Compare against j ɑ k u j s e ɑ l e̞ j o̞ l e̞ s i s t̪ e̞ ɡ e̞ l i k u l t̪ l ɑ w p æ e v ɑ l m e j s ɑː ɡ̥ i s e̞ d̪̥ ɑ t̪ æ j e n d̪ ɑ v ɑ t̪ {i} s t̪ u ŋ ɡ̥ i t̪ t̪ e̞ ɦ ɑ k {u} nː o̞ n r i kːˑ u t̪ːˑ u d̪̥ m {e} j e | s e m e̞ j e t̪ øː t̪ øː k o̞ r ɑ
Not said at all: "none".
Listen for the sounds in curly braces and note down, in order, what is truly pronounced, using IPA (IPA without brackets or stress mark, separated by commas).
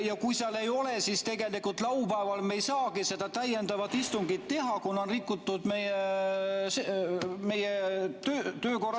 i, u, e